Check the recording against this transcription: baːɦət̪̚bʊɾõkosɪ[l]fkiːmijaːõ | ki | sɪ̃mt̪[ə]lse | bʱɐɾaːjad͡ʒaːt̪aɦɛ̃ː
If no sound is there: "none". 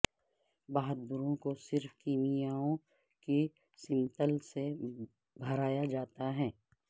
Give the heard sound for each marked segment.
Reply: ɾ, ə

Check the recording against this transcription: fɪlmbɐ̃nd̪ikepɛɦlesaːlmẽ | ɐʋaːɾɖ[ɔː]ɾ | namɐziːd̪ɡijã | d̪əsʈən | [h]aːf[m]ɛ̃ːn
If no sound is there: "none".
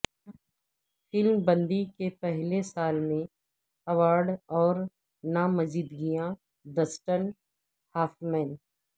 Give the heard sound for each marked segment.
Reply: ɔː, h, m

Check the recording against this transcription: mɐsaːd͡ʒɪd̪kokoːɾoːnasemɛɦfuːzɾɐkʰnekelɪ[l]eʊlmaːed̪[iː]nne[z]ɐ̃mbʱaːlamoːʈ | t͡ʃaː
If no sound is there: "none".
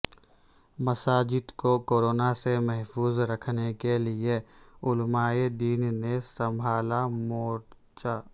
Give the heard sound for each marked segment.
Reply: none, iː, s

